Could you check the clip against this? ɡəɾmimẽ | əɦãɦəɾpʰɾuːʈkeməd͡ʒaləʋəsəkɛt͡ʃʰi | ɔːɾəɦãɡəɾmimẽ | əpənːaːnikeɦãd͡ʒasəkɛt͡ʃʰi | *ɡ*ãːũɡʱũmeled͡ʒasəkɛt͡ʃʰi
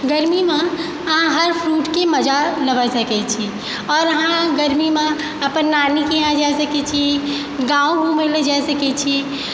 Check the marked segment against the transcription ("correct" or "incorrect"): correct